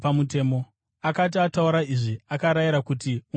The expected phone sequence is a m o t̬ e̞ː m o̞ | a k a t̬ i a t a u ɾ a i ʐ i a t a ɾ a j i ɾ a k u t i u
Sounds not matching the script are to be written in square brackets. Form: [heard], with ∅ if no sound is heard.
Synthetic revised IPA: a m [u] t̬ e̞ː m o̞ | a k a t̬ i a t a u ɾ a i ʐ i a [k] a ɾ a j i ɾ a k u t i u